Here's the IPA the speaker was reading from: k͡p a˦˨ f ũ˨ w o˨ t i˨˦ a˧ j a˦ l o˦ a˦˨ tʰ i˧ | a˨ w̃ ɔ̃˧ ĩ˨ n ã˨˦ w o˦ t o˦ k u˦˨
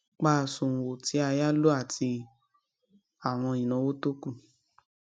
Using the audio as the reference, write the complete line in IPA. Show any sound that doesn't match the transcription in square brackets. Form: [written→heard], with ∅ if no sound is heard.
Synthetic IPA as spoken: k͡p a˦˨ [f→s] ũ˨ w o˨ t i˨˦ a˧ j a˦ l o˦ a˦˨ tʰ i˧ | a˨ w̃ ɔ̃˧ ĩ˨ n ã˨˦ w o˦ t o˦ k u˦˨